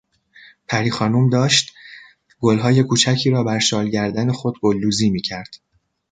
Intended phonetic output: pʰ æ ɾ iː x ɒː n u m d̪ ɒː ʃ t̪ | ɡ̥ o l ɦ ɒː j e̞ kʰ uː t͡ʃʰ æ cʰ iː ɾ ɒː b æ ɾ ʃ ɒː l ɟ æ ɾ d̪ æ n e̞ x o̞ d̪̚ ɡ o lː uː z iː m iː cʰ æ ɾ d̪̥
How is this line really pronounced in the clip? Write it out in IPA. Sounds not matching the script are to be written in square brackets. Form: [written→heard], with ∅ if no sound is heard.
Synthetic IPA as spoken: pʰ æ ɾ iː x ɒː n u m d̪ ɒː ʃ t̪ | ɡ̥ o l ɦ ɒː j e̞ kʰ uː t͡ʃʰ æ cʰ iː ɾ ɒː b æ ɾ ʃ ɒː l ɟ æ ɾ d̪ æ n e̞ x o̞ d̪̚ ɡ o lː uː z iː m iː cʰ æ ɾ d̪̥